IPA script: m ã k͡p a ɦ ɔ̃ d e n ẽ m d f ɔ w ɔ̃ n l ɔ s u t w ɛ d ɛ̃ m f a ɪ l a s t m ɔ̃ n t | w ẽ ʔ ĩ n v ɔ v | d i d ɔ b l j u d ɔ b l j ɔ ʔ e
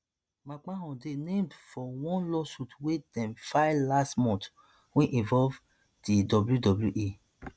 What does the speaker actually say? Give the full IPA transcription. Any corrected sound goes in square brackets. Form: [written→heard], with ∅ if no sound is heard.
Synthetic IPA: m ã k͡p a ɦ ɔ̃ d e n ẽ m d f ɔ w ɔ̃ n l ɔ s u t w [ɛ→e] d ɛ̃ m f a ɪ l a s t m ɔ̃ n t | w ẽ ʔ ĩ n v ɔ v | d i d ɔ b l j u d ɔ b l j [ɔ→u] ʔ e